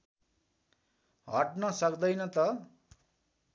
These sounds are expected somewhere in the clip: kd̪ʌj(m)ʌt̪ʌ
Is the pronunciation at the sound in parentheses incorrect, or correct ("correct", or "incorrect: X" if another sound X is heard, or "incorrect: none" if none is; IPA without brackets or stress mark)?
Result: incorrect: n